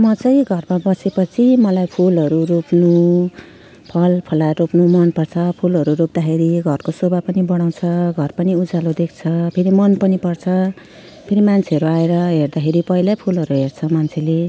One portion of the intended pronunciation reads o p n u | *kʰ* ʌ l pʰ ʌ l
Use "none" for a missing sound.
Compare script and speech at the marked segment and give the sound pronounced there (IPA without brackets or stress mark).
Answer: pʰ